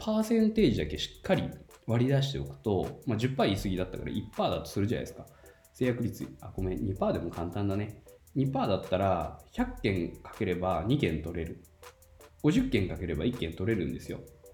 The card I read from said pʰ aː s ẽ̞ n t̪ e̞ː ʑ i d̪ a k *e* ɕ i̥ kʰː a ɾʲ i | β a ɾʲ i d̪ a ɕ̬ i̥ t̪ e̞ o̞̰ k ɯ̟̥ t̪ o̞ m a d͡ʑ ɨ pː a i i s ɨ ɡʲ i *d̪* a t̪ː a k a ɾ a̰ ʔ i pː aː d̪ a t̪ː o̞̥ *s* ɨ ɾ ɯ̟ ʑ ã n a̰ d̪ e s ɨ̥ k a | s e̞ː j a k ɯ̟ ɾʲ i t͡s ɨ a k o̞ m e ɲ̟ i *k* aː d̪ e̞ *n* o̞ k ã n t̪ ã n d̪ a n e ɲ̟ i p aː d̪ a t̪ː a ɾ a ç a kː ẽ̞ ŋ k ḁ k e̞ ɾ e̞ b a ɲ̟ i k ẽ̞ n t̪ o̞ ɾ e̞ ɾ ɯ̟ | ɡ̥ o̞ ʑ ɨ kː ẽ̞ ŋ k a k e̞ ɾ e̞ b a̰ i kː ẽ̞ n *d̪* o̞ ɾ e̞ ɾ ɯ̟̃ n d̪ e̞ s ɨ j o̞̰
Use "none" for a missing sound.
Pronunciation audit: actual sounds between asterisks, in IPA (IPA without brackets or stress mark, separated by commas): e, d̪, s, p, m, t̪